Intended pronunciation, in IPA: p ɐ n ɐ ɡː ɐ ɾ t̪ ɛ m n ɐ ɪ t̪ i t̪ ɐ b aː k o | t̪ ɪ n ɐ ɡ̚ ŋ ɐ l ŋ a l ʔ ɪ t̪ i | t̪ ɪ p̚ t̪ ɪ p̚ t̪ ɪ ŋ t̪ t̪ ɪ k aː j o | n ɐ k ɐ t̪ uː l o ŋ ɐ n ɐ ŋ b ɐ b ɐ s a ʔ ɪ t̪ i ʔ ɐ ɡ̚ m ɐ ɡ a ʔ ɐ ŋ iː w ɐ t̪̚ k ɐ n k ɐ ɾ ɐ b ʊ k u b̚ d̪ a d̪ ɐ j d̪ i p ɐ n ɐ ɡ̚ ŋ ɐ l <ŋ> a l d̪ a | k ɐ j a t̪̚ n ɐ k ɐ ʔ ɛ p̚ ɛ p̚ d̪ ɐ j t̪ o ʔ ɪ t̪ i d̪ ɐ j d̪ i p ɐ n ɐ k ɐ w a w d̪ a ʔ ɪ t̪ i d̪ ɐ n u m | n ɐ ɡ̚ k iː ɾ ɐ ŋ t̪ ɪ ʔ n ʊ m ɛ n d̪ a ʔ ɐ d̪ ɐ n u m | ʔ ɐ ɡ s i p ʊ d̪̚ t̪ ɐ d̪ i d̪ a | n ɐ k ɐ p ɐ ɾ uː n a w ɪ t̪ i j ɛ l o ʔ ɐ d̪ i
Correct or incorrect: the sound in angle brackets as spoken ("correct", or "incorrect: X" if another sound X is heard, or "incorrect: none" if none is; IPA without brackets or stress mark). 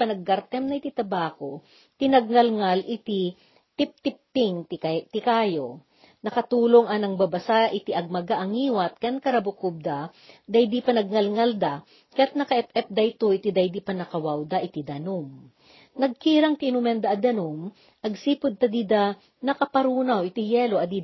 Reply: correct